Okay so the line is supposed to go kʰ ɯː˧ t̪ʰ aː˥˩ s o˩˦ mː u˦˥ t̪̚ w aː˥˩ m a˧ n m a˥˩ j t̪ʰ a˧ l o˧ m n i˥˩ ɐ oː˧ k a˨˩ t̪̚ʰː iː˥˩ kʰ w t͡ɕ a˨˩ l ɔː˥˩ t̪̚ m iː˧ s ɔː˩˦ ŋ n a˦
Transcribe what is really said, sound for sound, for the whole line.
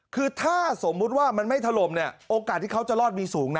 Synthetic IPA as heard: kʰ ɯː˧ t̪ʰ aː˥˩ s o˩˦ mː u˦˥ t̪̚ w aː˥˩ m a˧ n m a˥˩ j t̪ʰ a˧ l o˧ m n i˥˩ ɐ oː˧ k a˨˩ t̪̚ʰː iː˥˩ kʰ w t͡ɕ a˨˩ l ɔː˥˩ t̪̚ m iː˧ s uː˩˦ ŋ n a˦